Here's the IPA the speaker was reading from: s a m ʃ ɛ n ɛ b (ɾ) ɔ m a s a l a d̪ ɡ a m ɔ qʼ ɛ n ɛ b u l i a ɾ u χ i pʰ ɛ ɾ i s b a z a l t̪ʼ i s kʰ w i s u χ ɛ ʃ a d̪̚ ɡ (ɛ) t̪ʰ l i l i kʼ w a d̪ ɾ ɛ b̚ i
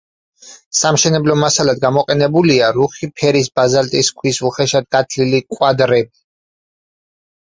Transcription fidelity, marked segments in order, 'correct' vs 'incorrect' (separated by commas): incorrect, incorrect